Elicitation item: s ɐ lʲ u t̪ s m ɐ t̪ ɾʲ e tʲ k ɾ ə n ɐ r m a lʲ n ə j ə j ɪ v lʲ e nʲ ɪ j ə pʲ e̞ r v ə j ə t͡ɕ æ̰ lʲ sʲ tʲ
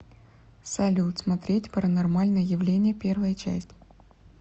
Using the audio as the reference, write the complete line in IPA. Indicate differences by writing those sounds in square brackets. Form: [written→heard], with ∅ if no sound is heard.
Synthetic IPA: s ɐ lʲ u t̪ s m ɐ t̪ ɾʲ e tʲ [k→p] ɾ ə n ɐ r m a lʲ n ə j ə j ɪ v lʲ e nʲ ɪ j ə pʲ e̞ r v ə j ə t͡ɕ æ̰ [lʲ→∅] sʲ tʲ